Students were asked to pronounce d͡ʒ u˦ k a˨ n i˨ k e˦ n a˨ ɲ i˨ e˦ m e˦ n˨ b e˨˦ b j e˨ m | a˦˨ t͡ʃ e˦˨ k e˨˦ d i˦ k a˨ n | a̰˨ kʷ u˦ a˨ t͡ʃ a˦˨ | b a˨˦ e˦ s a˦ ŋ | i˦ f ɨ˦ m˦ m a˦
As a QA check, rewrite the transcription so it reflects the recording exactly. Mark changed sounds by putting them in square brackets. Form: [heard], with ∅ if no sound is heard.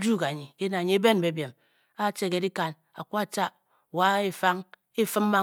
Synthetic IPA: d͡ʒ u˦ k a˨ [ɲ] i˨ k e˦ n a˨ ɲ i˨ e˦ [b] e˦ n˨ b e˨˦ b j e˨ m | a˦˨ t͡ʃ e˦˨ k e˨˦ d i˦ k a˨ n | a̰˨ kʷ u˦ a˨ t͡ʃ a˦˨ | [w] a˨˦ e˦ [f] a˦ ŋ | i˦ f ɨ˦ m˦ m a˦